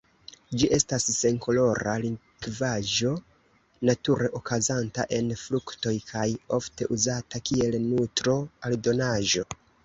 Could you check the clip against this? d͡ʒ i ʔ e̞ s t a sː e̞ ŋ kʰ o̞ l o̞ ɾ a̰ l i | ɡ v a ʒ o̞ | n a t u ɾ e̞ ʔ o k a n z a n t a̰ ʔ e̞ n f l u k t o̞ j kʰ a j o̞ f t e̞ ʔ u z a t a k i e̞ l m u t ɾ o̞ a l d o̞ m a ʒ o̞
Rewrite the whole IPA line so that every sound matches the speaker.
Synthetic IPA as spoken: d͡ʒ i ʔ e̞ s t a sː e̞ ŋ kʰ o̞ l o̞ ɾ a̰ l i | ɡ v a ʒ o̞ | n a t u ɾ e̞ ʔ o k a z a n t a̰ ʔ e̞ n f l u k t o̞ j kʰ a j o̞ f t e̞ ʔ u z a t a k i e̞ l n u t ɾ o̞ a l d o̞ n a ʒ o̞